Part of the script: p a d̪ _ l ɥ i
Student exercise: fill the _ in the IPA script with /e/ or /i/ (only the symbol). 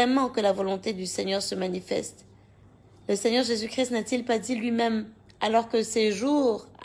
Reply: i